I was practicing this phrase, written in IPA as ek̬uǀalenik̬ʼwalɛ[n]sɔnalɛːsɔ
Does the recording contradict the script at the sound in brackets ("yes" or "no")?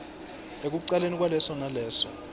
yes